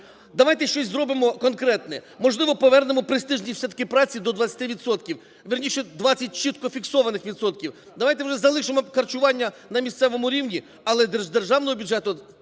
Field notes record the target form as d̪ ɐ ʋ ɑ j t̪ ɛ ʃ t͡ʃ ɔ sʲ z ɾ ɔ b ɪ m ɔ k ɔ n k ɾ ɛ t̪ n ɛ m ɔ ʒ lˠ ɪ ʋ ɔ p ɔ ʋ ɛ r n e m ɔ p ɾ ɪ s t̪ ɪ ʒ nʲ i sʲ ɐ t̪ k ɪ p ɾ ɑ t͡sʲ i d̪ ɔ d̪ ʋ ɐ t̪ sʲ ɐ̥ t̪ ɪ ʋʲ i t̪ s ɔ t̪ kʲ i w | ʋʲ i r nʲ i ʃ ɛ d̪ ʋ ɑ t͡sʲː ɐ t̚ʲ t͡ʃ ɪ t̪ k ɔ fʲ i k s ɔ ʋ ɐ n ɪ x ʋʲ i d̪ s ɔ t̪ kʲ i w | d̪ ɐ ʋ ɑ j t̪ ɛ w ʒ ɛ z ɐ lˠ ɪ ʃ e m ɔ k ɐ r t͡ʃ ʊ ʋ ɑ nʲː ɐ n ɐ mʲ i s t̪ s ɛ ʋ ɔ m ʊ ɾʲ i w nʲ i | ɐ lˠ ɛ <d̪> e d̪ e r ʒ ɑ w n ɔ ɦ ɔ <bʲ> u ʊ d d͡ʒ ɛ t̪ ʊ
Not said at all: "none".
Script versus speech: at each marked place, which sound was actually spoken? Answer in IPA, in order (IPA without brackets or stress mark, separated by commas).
d̪, bʲ